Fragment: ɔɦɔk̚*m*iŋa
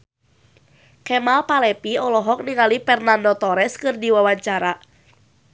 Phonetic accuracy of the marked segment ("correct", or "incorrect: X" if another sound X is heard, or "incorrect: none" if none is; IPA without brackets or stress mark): incorrect: n